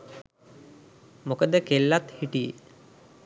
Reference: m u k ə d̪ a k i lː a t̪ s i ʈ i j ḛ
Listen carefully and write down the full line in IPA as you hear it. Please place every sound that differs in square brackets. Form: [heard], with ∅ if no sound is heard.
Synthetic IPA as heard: m [o] k ə d̪ [ə] k [e] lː a t̪ [h] i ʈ i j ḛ